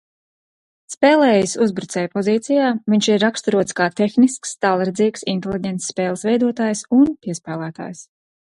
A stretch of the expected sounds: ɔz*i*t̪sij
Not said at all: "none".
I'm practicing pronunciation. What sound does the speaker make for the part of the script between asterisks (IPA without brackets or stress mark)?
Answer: iː